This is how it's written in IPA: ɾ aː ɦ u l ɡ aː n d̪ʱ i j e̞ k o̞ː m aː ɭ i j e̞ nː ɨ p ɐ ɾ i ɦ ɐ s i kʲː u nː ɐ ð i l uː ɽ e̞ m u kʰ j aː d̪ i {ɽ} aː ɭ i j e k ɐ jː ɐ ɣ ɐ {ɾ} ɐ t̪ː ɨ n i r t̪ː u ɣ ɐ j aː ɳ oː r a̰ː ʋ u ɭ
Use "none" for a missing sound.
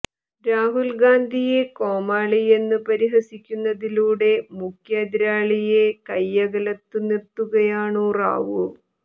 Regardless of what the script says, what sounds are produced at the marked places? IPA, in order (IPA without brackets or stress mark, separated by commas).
ɾ, l